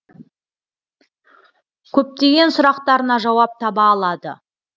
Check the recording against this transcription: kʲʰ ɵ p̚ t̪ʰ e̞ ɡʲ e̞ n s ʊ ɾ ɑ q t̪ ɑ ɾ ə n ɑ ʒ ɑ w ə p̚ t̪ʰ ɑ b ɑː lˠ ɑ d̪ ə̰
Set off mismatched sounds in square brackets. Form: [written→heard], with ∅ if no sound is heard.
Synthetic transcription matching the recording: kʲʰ ɵ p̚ [t̪ʰ→t̪] e̞ ɡʲ e̞ n s ʊ ɾ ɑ q t̪ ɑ ɾ ə n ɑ ʒ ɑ w [ə→ɑ] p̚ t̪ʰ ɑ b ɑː lˠ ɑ d̪ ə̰